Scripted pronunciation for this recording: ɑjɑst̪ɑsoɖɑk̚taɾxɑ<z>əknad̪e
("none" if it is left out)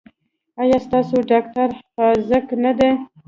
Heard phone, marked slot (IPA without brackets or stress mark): z